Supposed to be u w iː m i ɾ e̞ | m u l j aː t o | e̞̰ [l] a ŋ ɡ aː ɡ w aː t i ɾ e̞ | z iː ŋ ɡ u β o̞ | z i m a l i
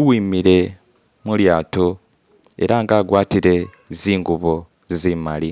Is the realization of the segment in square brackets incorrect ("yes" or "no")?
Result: yes